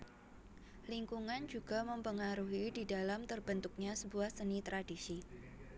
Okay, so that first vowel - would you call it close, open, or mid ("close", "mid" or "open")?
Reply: close